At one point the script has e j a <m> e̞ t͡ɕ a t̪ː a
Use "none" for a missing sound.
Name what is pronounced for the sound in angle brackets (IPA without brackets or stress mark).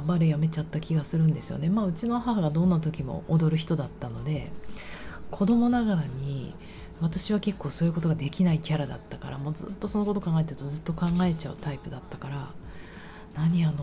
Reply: m